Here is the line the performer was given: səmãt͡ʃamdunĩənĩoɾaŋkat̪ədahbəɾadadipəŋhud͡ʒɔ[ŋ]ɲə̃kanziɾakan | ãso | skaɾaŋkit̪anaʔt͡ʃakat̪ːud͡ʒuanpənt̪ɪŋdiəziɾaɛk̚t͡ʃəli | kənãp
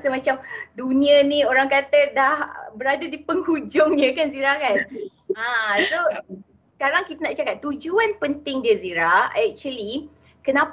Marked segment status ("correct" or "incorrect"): correct